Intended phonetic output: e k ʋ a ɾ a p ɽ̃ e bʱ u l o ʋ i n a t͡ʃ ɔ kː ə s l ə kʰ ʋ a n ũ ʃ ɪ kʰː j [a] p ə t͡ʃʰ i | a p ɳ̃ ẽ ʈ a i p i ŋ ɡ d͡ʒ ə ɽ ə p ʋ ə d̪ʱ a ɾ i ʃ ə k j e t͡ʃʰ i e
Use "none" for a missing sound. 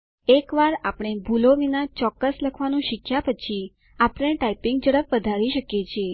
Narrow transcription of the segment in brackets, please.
a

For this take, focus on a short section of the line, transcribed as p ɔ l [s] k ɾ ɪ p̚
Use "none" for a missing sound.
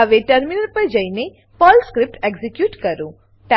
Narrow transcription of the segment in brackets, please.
s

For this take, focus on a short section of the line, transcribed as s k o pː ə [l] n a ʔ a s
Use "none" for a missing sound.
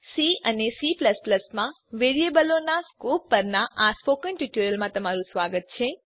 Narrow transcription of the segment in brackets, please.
ɾ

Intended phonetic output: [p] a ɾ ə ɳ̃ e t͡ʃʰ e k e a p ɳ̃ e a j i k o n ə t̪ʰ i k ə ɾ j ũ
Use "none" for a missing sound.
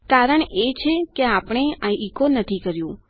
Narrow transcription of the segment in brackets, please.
k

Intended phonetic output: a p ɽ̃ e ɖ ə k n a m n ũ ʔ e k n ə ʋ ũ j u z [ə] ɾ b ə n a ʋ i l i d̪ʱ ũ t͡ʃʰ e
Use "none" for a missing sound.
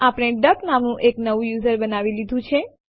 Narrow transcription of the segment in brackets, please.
ə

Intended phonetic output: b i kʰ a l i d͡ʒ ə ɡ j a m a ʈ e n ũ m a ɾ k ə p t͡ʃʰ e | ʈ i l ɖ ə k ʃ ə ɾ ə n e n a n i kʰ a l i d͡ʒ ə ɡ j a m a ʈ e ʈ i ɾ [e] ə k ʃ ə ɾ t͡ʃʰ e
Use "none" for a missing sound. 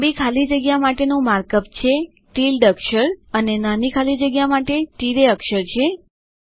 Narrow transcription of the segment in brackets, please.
e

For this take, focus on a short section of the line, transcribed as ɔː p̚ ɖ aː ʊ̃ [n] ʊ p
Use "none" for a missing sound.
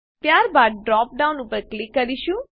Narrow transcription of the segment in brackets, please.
n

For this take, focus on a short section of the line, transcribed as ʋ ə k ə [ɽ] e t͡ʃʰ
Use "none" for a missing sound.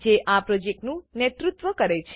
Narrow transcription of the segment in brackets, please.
ɾ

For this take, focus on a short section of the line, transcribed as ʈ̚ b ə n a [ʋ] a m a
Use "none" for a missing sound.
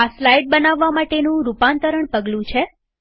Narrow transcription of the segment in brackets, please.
ʋː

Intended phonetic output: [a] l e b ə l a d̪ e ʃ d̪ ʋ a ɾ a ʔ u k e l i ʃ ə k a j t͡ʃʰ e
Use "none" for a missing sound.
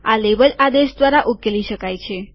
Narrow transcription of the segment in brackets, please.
a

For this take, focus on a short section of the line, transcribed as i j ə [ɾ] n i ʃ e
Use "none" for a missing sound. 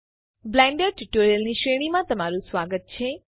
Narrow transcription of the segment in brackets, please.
l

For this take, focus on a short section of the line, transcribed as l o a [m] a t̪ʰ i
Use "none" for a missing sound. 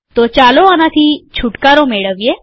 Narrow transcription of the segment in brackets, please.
n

